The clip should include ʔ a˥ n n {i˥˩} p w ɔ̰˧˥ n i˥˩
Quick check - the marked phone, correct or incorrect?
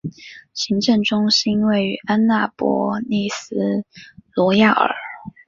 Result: incorrect